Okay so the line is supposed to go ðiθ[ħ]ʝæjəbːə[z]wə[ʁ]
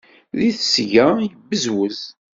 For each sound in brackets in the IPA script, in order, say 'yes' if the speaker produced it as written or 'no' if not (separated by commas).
no, yes, no